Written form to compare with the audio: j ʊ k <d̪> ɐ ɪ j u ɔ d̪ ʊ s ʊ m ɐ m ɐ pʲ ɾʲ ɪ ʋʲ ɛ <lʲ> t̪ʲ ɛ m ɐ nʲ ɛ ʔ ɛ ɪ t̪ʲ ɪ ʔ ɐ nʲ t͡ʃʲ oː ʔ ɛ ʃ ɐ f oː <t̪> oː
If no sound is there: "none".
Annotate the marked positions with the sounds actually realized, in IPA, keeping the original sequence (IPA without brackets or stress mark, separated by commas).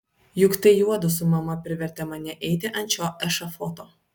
t̪, ɾʲ, t̪